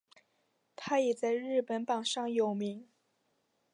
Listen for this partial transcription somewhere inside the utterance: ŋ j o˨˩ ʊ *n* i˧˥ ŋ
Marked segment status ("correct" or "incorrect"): incorrect